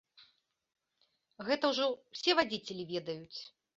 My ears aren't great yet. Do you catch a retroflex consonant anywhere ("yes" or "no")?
yes